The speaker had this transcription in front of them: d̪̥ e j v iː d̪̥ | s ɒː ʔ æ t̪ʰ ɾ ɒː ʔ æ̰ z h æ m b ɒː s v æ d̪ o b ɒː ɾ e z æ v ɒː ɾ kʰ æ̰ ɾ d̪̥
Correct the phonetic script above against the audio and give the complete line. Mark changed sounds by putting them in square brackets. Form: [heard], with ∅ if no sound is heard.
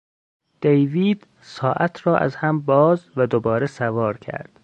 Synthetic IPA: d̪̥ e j v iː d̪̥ | s ɒː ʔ æ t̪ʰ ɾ ɒː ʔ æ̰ z h æ m b ɒː [z] v æ d̪ o b ɒː ɾ e [s] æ v ɒː ɾ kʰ æ̰ ɾ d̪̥